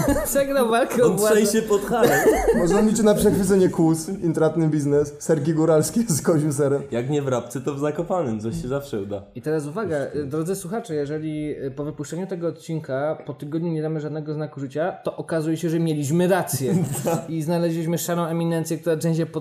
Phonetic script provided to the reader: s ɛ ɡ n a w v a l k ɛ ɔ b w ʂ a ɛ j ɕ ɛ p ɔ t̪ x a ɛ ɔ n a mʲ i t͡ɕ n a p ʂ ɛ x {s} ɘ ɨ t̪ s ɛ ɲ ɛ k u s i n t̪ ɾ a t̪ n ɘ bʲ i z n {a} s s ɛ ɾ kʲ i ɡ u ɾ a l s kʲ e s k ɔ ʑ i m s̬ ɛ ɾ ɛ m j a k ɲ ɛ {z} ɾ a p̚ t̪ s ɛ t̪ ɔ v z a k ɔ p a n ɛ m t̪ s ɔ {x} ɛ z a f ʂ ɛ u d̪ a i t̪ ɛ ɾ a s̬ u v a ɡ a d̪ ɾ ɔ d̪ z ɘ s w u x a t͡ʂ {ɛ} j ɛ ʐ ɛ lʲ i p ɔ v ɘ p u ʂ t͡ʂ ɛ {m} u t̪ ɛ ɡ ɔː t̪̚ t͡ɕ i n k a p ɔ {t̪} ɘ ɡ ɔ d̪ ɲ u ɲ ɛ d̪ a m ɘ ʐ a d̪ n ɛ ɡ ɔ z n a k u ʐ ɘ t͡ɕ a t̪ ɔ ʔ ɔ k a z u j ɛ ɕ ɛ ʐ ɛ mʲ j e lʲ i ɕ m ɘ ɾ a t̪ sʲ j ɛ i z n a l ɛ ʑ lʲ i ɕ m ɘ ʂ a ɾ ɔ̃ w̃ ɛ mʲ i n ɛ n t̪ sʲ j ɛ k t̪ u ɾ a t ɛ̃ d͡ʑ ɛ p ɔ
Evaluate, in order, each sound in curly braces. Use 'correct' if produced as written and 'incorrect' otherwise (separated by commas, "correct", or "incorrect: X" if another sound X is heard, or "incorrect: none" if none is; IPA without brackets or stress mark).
incorrect: f, incorrect: ɛ, incorrect: v, incorrect: ɕ, correct, incorrect: ɲ, correct